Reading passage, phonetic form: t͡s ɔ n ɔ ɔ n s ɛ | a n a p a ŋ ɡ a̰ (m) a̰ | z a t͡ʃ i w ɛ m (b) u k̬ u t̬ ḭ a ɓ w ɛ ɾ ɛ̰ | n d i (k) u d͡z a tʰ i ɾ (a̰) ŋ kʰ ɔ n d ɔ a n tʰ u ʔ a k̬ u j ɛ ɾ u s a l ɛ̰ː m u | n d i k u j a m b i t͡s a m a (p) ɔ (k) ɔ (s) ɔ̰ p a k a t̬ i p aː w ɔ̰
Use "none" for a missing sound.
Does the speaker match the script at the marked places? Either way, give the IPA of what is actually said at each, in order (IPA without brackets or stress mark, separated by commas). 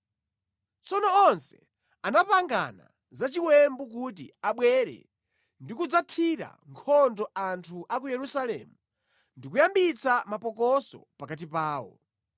n, b, k, a̰, p, k, s